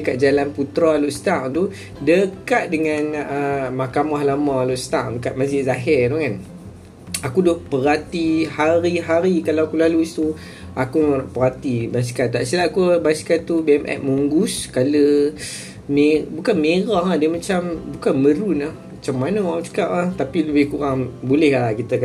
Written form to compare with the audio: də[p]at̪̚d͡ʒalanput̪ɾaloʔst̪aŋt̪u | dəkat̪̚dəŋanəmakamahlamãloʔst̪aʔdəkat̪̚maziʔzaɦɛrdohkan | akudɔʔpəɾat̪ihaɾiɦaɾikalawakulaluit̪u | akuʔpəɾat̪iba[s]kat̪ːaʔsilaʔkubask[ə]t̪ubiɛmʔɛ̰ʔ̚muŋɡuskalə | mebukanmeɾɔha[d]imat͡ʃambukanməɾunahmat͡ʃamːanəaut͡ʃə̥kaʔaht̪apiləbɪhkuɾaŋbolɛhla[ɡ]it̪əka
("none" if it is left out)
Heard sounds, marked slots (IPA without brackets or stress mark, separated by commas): k, s, a, d, k